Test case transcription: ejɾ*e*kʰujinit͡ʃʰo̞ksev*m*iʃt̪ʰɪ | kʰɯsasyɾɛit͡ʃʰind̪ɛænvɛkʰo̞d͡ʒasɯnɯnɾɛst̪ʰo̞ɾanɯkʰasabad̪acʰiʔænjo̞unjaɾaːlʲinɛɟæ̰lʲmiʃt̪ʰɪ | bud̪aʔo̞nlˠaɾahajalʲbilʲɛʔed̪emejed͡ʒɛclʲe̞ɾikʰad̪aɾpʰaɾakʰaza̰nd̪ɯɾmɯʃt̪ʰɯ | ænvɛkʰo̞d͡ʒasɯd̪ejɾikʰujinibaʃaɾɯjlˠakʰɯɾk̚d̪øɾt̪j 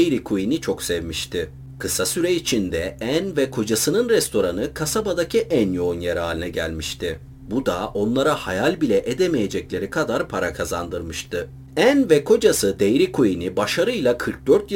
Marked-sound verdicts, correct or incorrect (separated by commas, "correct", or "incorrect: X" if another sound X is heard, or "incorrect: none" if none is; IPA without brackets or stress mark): incorrect: i, correct